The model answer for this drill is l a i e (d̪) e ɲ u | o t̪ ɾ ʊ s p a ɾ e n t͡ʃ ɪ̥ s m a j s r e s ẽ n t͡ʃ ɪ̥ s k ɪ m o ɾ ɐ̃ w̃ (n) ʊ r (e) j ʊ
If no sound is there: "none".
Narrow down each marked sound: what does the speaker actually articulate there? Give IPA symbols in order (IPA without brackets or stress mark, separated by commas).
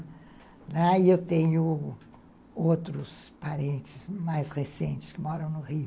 t̪, n, i